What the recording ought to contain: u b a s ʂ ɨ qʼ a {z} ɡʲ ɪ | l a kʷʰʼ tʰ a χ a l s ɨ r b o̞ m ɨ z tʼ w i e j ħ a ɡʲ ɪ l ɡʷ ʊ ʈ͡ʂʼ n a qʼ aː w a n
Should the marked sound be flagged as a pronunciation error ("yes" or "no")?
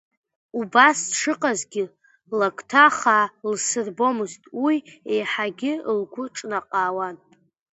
no